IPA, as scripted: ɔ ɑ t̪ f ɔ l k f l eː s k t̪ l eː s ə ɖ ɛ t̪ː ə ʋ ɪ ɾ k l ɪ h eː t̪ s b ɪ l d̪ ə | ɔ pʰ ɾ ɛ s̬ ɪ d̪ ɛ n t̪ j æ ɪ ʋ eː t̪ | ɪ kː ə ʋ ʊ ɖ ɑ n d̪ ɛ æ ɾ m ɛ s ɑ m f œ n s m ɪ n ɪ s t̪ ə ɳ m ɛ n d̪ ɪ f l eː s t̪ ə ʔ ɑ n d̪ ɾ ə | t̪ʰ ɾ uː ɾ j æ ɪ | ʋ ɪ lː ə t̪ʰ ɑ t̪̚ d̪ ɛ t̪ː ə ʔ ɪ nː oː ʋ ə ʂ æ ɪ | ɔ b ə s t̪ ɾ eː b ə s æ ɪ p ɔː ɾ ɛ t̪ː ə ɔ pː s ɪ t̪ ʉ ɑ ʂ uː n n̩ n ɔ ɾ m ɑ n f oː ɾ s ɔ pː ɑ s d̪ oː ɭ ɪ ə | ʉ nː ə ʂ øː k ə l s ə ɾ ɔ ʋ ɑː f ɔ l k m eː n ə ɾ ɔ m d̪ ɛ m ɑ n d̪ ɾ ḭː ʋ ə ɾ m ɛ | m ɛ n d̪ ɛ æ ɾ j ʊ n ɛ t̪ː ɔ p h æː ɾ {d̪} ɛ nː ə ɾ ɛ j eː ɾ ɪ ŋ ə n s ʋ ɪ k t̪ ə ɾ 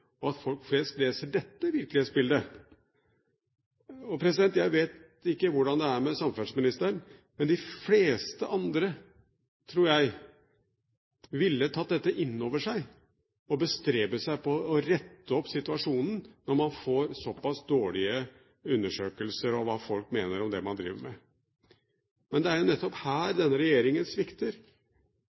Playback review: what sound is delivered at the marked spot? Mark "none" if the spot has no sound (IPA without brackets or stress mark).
d̪